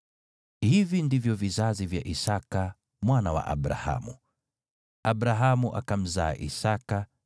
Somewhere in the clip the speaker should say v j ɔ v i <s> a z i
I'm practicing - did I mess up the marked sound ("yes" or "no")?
yes